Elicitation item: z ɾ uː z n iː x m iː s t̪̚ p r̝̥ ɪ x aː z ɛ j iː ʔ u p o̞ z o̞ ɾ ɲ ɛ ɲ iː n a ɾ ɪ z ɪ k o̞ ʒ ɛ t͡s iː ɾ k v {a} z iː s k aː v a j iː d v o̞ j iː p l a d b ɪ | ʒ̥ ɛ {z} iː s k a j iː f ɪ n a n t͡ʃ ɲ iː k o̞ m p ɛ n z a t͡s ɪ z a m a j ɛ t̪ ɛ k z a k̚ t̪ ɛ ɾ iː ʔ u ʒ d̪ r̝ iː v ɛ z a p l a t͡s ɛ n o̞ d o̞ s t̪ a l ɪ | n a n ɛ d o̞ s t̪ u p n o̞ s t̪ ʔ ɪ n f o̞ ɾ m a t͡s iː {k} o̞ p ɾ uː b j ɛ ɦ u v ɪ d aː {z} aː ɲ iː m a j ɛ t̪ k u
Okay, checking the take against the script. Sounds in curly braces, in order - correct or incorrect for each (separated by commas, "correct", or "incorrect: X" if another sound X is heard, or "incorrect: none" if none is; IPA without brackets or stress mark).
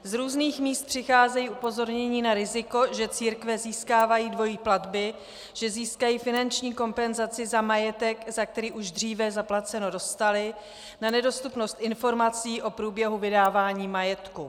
incorrect: ɛ, correct, incorrect: ʔ, incorrect: v